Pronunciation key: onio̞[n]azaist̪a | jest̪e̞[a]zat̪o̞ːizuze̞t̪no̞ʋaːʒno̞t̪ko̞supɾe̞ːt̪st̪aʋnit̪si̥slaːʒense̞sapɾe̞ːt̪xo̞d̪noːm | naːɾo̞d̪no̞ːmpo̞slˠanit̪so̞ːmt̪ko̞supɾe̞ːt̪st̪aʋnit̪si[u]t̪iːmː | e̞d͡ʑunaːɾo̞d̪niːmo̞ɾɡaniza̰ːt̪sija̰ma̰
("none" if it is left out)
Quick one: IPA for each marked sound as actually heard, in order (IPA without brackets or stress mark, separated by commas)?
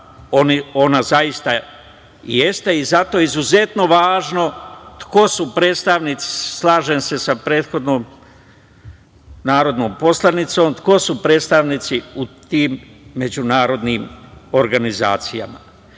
n, i, u